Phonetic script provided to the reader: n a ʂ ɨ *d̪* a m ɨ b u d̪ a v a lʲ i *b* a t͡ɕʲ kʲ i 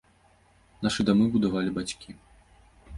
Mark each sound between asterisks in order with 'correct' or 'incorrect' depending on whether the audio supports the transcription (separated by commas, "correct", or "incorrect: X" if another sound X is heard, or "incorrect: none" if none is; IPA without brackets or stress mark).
correct, correct